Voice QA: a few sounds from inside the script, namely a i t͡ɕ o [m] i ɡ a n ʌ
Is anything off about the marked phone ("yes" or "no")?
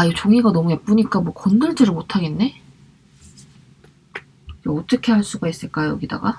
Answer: yes